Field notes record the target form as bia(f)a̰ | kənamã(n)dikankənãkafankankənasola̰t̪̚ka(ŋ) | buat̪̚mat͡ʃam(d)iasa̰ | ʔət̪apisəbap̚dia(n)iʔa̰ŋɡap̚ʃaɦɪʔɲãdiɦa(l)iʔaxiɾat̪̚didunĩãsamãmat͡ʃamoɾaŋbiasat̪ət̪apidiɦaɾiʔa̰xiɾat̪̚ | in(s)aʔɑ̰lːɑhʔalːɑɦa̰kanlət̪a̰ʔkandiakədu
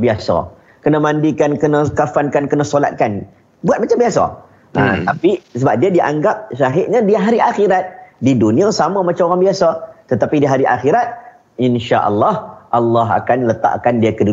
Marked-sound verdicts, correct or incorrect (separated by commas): incorrect, correct, incorrect, incorrect, incorrect, incorrect, incorrect